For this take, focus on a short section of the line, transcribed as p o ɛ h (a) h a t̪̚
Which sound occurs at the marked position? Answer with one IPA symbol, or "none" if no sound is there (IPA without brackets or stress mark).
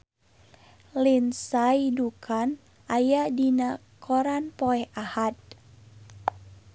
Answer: a